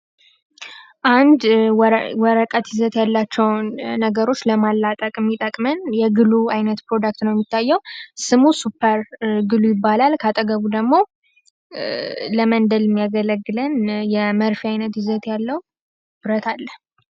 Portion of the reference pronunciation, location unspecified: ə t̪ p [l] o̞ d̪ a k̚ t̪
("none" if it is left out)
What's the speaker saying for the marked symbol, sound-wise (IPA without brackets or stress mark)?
ɾ